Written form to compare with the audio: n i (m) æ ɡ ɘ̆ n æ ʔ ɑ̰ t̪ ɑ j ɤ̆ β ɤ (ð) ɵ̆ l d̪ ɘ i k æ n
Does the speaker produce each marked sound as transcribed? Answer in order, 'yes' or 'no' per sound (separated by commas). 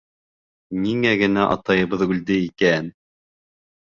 no, yes